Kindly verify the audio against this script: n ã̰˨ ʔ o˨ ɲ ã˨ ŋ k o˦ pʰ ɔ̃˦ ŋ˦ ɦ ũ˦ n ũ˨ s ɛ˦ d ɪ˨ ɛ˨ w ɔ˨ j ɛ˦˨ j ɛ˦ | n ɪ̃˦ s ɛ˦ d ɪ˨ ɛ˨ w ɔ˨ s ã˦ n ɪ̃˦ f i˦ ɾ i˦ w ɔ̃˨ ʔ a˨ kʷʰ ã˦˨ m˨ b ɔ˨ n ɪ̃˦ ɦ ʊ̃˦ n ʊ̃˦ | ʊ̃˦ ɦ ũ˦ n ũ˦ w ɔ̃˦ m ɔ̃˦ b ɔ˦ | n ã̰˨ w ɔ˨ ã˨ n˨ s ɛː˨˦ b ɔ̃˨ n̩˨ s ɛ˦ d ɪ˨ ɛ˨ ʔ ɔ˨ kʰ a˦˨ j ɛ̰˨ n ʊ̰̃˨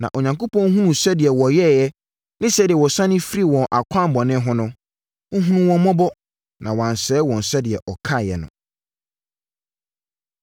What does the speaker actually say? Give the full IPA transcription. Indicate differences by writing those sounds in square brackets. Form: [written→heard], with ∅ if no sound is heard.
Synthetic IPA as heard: n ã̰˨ ʔ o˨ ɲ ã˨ ŋ k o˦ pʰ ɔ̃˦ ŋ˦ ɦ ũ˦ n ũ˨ s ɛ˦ d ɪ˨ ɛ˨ w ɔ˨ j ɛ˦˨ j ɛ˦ | n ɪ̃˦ s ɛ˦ d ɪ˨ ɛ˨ w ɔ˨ s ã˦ n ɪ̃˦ f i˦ ɾ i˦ w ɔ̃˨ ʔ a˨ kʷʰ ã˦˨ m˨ b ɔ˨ n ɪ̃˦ ɦ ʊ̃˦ n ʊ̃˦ | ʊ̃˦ ɦ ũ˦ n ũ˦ w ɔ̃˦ m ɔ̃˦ b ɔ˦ | n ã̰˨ w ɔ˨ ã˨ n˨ s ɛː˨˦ [b→w] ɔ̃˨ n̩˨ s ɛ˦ d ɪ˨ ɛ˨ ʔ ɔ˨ kʰ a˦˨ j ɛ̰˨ n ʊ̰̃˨

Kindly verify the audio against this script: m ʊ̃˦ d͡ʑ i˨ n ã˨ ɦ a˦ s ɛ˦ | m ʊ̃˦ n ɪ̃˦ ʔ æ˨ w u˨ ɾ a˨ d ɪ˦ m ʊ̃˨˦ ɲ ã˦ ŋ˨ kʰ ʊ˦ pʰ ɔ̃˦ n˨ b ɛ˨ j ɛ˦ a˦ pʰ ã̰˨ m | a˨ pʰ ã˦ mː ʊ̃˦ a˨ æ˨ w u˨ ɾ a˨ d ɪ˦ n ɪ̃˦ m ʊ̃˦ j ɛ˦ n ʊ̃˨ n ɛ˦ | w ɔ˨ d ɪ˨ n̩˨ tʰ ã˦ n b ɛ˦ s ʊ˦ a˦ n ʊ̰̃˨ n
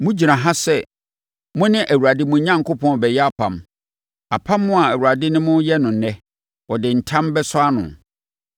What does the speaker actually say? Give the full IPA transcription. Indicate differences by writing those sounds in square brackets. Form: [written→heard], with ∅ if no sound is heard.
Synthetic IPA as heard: m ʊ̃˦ d͡ʑ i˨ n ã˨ ɦ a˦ s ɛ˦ | m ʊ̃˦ n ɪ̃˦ ʔ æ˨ w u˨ ɾ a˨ d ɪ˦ m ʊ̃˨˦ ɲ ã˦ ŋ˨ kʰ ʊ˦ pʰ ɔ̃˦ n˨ b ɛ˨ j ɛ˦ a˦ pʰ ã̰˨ m | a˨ pʰ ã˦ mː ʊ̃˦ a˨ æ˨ w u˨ ɾ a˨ d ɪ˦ n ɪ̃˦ m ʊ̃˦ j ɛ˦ n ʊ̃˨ n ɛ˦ | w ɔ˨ d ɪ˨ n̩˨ tʰ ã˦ [n→m] b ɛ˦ s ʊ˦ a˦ n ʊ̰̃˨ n

